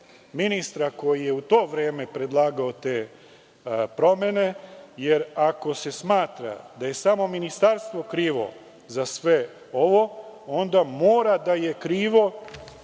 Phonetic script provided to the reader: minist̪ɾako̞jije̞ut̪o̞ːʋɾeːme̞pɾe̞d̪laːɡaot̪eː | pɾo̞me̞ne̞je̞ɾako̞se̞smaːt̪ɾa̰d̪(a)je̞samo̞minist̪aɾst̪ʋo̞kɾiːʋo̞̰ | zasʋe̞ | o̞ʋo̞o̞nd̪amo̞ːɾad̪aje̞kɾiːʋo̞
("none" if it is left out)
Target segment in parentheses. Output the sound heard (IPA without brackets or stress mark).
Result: a